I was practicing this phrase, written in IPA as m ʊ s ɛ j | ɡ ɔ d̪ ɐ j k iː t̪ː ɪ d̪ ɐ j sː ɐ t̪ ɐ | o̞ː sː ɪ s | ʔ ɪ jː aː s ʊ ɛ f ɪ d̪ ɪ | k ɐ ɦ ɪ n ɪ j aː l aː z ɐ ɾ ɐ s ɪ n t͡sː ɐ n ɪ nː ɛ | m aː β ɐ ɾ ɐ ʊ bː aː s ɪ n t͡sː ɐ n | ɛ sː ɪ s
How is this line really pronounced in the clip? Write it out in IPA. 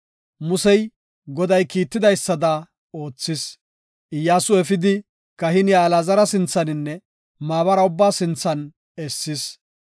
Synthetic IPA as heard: m ʊ s ɛ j | ɡ ɔ d̪ ɐ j k iː t̪ː ɪ d̪ ɐ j sː ɐ d̪ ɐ | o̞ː t͡sː ɪ s | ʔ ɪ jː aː s ʊ ɛ f ɪ d̪ ɪ | k ɐ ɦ ɪ n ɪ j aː l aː z ɐ ɾ ɐ s ɪ n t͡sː ɐ n ɪ nː ɛ | m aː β ɐ ɾ ɐ ʊ bː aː s ɪ n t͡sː ɐ n | ɛ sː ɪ s

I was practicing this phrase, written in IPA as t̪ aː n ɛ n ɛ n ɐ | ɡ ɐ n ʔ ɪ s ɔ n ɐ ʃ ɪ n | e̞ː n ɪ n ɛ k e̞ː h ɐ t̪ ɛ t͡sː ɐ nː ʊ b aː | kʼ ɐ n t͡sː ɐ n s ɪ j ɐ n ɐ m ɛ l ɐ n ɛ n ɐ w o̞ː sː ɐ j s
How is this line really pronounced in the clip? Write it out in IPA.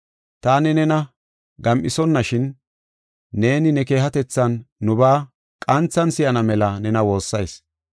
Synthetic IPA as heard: t̪ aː n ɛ n ɛ n ɐ | ɡ ɐ m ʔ ɪ s ɔ nː ɐ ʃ ɪ nː | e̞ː n ɪ n ɛ k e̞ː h ɐ t̪ ɛ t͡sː ɐ nː ʊ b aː | kʼ ɐ n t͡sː ɐ n s ɪ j ɐ n ɐ m ɛ l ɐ n ɛ n ɐ w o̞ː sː ɐ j s

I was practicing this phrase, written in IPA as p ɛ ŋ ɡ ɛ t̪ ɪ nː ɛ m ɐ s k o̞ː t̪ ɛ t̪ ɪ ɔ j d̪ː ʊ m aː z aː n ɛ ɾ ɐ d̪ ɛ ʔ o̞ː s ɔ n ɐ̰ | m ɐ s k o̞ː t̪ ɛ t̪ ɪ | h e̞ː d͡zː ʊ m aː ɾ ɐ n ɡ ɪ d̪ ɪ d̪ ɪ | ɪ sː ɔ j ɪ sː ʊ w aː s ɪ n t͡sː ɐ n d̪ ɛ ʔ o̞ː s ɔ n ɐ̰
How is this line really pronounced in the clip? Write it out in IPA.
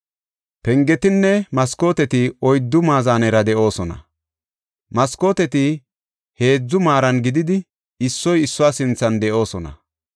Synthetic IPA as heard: p ɛ ŋ ɡ ɛ t̪ ɪ nː ɛ m ɐ s k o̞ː t̪ ɛ t̪ ɪ ɔ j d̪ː ʊ m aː z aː n ɛ ɾ ɐ d̪ ɛ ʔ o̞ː s ɔ n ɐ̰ | m ɐ s k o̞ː t̪ ɛ t̪ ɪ | h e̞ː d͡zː ʊ m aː ɾ ɐ n ɡ ɪ d̪ ɪ d̪ ɪ | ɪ sː ɔ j ɪ sː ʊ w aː s ɪ n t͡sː ɐ n d̪ ɛ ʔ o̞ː s ɔ n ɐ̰

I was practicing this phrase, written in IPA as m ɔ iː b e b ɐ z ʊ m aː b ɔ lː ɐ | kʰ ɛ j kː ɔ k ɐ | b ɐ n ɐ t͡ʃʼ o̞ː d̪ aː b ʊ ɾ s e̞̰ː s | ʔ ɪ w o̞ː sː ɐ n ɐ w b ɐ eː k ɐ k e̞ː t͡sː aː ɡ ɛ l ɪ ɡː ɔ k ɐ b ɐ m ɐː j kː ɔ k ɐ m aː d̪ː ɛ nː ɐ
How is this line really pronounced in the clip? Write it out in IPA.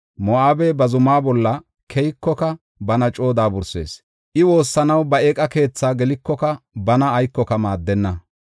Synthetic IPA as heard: m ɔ aː b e b ɐ z ʊ m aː b ɔ lː ɐ | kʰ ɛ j kː ɔ k ɐ | b ɐ n ɐ t͡ʃʼ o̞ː d̪ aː b ʊ ɾ s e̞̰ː s | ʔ ɪ w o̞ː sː ɐ n ɐ w b ɐ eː kʼ ɐ k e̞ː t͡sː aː ɡ ɛ l ɪ kː ɔ k ɐ b ɐ n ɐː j kː ɔ k ɐ m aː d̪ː ɛ nː ɐ

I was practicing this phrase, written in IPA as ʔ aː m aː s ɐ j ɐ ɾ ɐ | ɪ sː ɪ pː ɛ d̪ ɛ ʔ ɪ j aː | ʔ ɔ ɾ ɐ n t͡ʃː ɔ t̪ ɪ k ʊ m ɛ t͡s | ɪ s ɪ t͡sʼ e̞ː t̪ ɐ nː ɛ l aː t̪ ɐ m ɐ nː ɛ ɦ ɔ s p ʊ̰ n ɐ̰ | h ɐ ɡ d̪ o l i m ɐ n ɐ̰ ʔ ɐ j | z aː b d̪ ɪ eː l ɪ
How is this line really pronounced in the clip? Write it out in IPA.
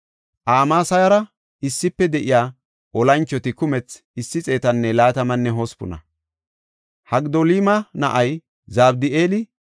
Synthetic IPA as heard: ʔ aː m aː s ɐ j ɐ ɾ ɐ | ɪ sː ɪ pː ɛ d̪ ɛ ʔ ɪ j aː | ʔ ɔ l ɐ n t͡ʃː ɔ t̪ ɪ k ʊ m ɛ t͡s | ɪ sː ɪ t͡sʼ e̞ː t̪ ɐ nː ɛ l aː t̪ ɐ m ɐ nː ɛ ɦ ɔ s p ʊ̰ n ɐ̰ | h ɐ ɡ d̪ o l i m ɐ n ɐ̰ ʔ ɐ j | z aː b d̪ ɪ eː l ɪ

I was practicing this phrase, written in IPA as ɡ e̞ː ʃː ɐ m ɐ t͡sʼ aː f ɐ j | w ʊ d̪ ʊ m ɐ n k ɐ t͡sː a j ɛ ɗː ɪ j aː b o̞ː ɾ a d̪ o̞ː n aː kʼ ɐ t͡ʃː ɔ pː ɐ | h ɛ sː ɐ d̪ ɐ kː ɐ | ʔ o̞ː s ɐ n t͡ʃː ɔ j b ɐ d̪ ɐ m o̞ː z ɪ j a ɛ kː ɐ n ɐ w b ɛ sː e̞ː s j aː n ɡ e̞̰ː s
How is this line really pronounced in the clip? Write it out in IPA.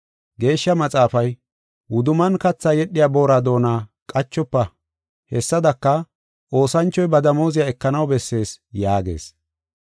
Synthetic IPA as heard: ɡ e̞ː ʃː ɐ m ɐ t͡sʼ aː f ɐ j | w ʊ d̪ ʊ m ɐ n k ɐ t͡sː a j ɛ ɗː ɪ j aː b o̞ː ɾ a d̪ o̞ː n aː kʼ ɐ t͡ʃː ɔ pː ɐ | h ɛ sː ɐ d̪ ɐ kː ɐ | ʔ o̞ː s ɐ n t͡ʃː ɔ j b ɐ d̪ ɐ m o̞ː z ɪ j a ɛ kː ɐ n ɐ w b ɛ sː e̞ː s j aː ɡ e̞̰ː s

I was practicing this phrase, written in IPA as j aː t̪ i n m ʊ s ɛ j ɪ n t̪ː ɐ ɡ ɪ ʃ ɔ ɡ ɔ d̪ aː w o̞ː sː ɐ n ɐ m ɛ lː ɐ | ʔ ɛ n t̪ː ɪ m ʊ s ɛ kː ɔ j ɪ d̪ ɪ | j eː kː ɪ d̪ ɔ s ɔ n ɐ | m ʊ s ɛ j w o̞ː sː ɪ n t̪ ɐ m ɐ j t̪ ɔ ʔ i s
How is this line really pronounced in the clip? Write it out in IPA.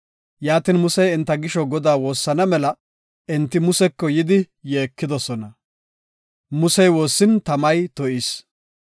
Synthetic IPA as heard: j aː t̪ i n m ʊ s ɛ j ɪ n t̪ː ɐ ɡ ɪ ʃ ɔ ɡ ɔ d̪ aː w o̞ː sː ɐ n ɐ m ɛ l ɐ | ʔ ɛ n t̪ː ɪ m ʊ s ɛ kː ɔ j ɪ d̪ ɪ | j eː kː ɪ d̪ ɔ s ɔ n ɐ | m ʊ s ɛ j w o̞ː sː ɪ n t̪ ɐ m ɐ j t̪ ɔ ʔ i s

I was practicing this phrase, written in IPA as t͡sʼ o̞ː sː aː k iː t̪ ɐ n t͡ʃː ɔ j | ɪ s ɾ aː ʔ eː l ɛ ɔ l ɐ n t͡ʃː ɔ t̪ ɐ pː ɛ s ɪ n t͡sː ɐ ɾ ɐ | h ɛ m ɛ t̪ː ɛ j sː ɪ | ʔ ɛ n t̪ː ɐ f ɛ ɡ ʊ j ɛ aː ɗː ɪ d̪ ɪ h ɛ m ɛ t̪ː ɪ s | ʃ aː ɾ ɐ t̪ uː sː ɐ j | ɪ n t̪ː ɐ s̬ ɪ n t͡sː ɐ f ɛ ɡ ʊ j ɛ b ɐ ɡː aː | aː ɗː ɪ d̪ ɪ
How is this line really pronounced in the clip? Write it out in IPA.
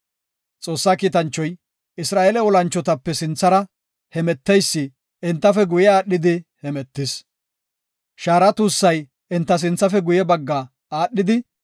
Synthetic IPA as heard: t͡sʼ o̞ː sː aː k iː t̪ ɐ n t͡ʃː ɔ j | ɪ s ɾ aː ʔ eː l ɛ ɔ l ɐ n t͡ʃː ɔ t̪ ɐ pː ɛ s ɪ n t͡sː ɐ ɾ ɐ | h ɛ m ɛ t̪ː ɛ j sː ɪ | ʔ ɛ n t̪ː ɐ f ɛ ɡ ʊ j ɛ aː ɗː ɪ d̪ ɪ h ɛ m ɛ t̪ː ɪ s | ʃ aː ɾ ɐ t̪ uː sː ɐ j | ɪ n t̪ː ɐ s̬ ɪ n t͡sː ɐ f ɛ ɡ ʊ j ɛ b ɐ ɡː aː | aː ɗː ɪ d̪ ɪ

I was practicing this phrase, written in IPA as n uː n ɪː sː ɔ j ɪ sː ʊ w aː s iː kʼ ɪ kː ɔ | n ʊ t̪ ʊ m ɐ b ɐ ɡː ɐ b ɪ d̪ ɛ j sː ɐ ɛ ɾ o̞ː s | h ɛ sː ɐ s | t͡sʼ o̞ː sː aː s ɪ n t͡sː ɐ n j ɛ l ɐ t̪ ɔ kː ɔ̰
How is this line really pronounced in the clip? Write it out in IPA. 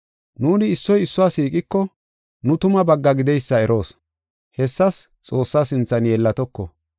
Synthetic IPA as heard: n uː n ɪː sː ɔ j ɪ sː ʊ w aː s iː kʼ ɪ kː ɔ | n ʊ t̪ ʊ m ɐ b ɐ ɡː ɐ ɡ ɪ d̪ ɛ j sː ɐ ɛ ɾ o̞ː s | h ɛ sː ɐ s | t͡sʼ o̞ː sː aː s ɪ n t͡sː ɐ n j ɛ lː ɐ t̪ ɔ kː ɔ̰

